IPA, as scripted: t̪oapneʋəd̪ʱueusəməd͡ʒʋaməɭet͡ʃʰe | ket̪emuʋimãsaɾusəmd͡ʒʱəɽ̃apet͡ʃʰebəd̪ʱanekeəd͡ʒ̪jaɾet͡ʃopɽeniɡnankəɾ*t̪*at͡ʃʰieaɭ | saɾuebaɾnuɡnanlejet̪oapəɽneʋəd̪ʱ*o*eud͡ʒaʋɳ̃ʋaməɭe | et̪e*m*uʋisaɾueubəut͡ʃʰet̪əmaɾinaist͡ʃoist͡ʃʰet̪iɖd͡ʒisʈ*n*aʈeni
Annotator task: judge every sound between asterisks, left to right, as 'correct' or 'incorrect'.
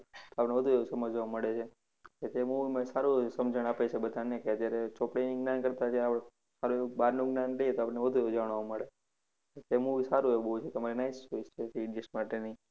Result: correct, incorrect, correct, incorrect

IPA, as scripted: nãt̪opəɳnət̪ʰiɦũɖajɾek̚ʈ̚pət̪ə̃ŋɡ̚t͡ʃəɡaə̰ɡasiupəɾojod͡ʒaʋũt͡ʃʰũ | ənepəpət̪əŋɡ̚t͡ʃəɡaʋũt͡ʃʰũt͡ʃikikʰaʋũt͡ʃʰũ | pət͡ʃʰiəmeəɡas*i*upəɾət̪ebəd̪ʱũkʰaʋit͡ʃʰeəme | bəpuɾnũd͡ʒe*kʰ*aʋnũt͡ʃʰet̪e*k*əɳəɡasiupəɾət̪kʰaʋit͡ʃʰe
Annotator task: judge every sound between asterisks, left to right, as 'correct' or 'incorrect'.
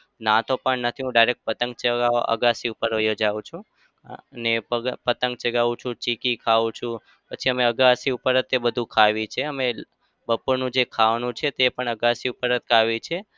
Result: correct, correct, incorrect

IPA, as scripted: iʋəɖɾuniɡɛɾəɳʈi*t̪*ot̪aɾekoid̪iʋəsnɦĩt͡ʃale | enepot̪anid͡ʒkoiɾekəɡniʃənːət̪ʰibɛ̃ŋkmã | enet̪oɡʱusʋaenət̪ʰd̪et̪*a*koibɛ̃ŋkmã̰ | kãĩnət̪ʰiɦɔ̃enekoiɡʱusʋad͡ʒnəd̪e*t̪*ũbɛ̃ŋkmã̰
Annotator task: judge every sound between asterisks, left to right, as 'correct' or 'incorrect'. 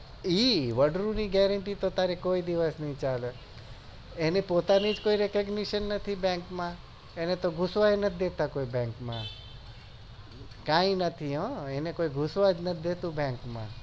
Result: correct, correct, correct

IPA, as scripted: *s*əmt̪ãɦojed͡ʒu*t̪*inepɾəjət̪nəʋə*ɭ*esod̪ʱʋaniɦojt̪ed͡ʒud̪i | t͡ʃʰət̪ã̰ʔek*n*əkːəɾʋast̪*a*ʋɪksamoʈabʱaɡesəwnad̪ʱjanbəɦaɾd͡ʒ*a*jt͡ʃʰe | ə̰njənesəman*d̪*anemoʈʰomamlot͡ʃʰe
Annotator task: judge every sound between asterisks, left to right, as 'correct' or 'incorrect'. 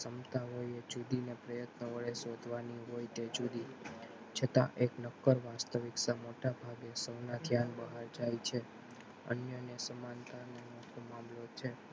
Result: correct, incorrect, correct, correct, incorrect, correct, incorrect

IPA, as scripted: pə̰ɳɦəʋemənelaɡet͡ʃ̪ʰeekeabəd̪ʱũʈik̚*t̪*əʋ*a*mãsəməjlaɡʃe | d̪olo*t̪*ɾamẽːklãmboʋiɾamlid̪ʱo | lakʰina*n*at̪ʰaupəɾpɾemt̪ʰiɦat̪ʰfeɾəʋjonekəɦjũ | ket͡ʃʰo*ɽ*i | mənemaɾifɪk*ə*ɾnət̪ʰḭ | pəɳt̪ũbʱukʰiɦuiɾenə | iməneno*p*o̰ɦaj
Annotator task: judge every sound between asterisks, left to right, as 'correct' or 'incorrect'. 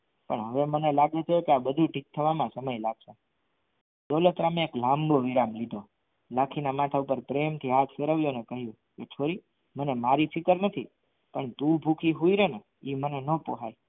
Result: incorrect, correct, correct, incorrect, incorrect, correct, correct

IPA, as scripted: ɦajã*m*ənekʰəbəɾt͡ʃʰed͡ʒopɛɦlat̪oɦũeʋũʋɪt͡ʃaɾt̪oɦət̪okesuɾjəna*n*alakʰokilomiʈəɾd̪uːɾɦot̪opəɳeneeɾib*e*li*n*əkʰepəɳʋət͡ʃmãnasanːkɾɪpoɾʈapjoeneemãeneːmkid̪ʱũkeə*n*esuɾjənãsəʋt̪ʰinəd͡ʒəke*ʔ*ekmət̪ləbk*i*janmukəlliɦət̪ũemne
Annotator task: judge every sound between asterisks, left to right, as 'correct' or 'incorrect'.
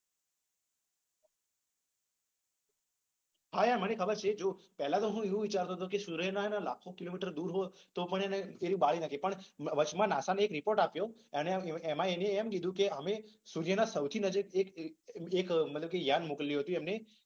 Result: correct, correct, incorrect, correct, incorrect, incorrect, incorrect

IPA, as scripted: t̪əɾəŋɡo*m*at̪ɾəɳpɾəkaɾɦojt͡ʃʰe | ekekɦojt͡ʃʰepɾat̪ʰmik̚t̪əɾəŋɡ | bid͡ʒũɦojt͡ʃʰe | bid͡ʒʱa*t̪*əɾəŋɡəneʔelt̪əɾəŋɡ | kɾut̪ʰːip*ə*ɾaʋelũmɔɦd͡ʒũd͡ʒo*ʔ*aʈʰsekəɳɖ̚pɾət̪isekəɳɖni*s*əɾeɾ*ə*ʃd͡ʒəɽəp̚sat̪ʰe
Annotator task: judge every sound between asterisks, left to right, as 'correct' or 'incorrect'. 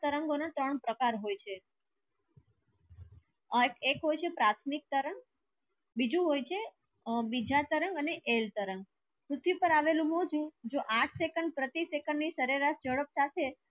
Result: incorrect, correct, correct, correct, correct, incorrect

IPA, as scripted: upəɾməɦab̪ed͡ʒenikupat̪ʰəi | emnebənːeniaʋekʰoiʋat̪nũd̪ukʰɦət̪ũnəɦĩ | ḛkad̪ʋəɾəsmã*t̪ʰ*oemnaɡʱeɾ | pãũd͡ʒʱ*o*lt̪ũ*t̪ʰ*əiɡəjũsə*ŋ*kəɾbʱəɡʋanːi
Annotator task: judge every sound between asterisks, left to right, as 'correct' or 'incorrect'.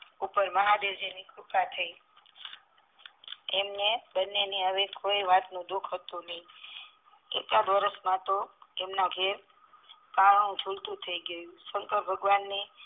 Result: incorrect, incorrect, correct, correct

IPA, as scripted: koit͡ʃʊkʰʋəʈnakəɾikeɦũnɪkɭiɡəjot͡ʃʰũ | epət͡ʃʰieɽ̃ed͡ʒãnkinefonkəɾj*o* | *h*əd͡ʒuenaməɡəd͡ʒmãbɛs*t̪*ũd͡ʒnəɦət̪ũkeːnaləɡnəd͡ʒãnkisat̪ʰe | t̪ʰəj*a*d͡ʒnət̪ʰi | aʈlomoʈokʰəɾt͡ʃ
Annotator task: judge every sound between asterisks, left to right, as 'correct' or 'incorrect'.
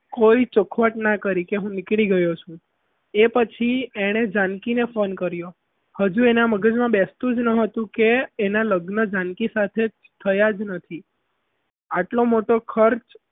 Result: correct, correct, correct, correct

